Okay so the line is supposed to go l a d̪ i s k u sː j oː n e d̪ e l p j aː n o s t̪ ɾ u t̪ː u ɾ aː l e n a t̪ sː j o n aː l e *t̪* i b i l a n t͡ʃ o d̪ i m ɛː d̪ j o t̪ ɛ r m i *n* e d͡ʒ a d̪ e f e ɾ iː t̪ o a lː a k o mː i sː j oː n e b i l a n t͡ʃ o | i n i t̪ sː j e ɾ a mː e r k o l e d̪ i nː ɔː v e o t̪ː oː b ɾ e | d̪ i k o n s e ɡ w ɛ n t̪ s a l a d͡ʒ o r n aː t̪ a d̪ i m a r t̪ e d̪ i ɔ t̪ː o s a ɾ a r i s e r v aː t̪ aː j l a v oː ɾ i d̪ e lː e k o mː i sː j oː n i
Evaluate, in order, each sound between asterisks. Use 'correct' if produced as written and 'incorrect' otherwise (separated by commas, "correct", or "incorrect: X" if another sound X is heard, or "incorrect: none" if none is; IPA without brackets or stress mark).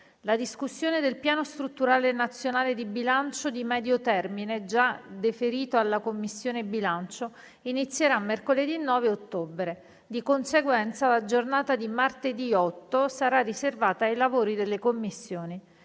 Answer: incorrect: d̪, correct